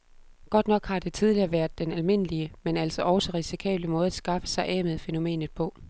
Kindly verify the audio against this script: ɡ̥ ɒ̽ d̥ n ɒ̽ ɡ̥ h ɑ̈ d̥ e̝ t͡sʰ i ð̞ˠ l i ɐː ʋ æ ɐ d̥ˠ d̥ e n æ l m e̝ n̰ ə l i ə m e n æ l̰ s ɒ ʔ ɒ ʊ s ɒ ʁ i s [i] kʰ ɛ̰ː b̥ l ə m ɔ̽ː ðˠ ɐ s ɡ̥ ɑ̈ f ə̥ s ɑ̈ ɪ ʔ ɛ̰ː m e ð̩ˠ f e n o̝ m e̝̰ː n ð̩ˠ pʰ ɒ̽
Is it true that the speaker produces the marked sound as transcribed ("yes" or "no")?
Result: yes